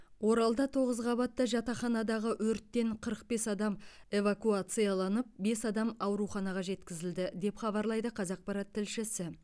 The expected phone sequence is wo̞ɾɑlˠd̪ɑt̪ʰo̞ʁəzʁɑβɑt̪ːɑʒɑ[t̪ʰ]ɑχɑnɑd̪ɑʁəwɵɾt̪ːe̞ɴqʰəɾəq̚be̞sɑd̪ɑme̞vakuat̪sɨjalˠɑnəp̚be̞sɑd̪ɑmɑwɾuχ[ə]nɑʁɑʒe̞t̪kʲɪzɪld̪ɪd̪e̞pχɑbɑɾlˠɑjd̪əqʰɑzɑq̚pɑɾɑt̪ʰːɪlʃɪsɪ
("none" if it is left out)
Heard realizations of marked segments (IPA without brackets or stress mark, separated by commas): t̪, ɑ